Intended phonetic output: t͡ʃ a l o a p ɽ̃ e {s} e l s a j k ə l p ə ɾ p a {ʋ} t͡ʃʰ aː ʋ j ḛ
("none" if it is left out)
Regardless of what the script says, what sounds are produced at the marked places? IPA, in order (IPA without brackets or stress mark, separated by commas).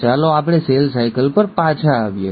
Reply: s, none